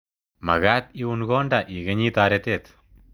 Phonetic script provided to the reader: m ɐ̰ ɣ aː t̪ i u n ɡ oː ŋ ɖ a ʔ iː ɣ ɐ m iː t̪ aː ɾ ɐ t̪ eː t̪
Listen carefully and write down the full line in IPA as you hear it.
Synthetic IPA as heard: m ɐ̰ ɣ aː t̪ i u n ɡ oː ɳ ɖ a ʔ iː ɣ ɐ ɲ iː t̪ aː ɾ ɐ t̪ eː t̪